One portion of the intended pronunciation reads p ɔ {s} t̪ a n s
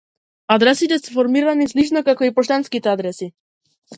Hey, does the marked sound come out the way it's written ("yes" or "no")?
no